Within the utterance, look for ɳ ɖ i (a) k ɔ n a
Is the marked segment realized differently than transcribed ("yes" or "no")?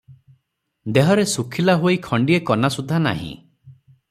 yes